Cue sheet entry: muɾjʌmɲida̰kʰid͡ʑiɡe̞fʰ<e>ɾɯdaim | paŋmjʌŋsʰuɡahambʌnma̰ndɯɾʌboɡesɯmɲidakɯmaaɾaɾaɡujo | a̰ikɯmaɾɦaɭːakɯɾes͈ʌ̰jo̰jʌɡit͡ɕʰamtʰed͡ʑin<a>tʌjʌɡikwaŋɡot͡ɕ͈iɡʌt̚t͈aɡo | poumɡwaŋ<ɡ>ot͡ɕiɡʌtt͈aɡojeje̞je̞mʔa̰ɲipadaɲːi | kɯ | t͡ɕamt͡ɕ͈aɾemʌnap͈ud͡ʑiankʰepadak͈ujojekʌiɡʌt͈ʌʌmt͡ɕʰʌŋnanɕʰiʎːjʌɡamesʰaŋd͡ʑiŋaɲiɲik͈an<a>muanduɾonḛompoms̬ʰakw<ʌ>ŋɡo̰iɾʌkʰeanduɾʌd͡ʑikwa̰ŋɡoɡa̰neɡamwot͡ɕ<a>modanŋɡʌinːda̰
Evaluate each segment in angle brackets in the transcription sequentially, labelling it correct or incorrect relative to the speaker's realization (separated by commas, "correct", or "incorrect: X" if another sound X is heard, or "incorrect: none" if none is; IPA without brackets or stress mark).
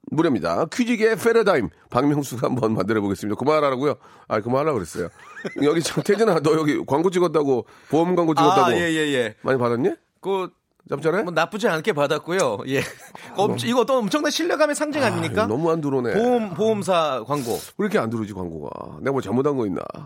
correct, correct, correct, incorrect: ʌ, incorrect: a, correct